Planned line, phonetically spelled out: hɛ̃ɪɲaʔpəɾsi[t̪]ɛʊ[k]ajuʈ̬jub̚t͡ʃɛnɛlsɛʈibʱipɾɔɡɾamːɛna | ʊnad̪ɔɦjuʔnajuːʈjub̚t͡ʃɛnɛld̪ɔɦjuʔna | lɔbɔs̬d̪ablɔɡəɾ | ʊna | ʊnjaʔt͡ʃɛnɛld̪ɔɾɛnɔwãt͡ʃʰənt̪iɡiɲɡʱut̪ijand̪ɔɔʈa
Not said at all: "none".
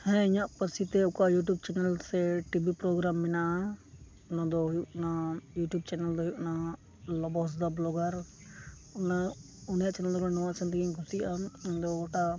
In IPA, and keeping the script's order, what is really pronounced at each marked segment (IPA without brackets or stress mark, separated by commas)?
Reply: t̪, k